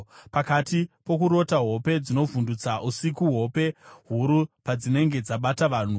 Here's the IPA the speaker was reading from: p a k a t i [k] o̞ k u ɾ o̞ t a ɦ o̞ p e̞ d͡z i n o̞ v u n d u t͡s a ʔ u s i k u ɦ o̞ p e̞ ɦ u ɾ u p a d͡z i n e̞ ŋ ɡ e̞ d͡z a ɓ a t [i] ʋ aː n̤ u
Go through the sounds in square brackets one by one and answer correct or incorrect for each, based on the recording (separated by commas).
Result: incorrect, incorrect